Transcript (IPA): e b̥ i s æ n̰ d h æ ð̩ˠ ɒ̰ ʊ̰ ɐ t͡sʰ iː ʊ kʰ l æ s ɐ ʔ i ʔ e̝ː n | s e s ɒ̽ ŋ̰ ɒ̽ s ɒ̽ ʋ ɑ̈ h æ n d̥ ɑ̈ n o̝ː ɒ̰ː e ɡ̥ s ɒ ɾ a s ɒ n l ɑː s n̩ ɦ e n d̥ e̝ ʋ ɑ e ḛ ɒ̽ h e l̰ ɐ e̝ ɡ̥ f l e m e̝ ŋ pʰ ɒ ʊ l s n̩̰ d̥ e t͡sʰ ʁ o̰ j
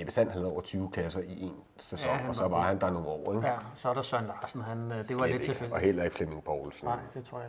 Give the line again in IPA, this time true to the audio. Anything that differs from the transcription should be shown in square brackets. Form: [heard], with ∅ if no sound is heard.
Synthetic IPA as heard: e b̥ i s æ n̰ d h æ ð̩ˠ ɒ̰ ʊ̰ ɐ t͡sʰ [yː] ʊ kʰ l æ s ɐ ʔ i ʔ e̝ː n | s e s ɒ̽ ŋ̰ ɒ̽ s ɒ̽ ʋ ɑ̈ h æ n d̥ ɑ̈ n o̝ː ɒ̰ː e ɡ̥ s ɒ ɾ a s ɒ n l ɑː s n̩ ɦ [æ] n d̥ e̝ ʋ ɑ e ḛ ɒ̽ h e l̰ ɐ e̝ ɡ̥ f l e m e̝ ŋ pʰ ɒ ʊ l s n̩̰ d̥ e t͡sʰ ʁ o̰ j